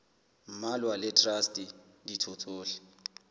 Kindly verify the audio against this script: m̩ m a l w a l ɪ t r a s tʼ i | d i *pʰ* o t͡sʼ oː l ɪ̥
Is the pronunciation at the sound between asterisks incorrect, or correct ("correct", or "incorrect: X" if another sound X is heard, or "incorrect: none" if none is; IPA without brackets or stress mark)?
incorrect: tʰ